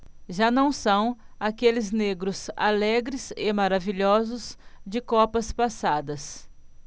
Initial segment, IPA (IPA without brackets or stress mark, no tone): ʒ